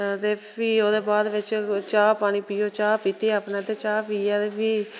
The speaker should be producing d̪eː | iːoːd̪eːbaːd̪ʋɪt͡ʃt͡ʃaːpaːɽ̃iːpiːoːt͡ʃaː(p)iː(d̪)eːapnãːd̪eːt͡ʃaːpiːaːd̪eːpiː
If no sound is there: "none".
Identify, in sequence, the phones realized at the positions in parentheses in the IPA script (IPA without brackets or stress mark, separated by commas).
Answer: p, t̪